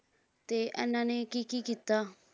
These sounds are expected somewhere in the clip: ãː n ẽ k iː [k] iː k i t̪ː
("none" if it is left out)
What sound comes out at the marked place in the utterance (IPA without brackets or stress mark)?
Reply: k